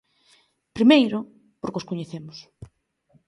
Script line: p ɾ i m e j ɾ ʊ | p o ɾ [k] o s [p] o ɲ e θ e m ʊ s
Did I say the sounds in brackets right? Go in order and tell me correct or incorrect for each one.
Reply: correct, incorrect: k

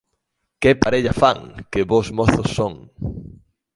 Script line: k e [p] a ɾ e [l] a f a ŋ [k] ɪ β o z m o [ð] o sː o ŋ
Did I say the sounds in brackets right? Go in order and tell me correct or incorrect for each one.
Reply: correct, incorrect: ʎ, correct, incorrect: θ

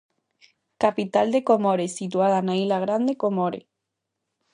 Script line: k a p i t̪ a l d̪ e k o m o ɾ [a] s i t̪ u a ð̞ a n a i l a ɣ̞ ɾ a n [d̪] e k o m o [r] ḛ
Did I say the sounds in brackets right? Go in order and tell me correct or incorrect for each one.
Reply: incorrect: e, correct, incorrect: ɾ

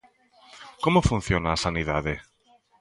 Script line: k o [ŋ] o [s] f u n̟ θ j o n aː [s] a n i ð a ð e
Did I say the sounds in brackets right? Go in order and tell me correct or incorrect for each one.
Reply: incorrect: m, incorrect: none, correct

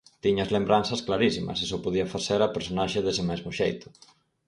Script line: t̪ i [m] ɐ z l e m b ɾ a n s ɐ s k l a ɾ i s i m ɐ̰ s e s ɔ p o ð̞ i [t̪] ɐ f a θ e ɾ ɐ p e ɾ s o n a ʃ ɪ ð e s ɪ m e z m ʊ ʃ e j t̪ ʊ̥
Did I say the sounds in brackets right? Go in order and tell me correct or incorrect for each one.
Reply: incorrect: ɲ, incorrect: none

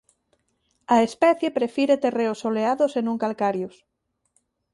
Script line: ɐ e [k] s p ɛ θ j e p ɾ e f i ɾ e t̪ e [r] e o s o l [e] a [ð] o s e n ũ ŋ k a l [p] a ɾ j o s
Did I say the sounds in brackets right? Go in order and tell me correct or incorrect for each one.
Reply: incorrect: none, correct, correct, correct, incorrect: k

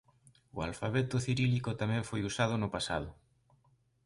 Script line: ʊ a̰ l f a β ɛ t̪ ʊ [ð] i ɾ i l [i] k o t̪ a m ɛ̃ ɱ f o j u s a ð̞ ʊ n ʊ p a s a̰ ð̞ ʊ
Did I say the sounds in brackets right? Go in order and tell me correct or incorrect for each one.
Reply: incorrect: θ, correct

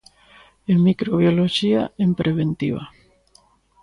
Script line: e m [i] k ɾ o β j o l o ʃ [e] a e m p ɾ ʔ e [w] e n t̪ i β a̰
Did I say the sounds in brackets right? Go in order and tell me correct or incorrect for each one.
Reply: correct, incorrect: i, incorrect: β

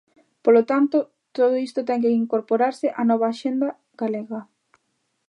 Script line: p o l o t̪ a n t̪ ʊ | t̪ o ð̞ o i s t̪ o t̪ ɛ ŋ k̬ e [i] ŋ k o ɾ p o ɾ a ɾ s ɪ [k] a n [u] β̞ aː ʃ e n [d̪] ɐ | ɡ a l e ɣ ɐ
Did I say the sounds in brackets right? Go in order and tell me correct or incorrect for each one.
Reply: correct, incorrect: ʔ, incorrect: ɔ, correct

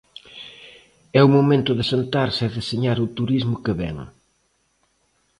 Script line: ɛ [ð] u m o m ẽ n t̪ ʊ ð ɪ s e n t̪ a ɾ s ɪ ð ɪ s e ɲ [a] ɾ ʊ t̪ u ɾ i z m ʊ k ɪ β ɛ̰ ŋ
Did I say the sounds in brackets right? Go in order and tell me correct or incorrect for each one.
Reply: incorrect: none, correct

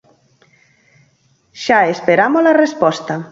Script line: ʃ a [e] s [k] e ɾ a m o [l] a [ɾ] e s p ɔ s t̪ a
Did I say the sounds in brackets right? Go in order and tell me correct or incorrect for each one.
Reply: correct, incorrect: p, correct, incorrect: r

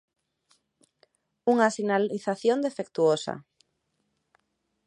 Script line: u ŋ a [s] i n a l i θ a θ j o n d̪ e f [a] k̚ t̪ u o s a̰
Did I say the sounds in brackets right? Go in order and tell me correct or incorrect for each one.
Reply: correct, incorrect: e

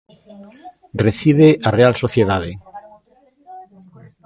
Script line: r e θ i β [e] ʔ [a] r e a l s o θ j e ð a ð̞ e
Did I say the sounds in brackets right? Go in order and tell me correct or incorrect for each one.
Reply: correct, correct

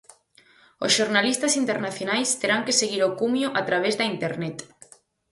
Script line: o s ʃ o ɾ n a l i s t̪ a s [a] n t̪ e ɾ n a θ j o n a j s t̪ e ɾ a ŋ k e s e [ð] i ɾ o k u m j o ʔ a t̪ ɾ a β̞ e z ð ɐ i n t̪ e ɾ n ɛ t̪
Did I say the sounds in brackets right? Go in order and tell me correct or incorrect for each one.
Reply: incorrect: i, incorrect: ɣ

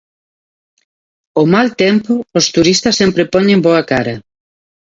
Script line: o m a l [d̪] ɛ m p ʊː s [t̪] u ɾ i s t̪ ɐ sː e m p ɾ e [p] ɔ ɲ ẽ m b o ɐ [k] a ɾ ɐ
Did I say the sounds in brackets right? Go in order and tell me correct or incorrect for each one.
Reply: incorrect: t̪, correct, correct, correct

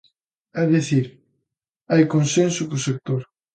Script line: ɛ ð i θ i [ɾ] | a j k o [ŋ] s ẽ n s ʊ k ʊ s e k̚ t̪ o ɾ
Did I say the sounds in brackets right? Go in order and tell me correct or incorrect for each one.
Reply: correct, incorrect: n

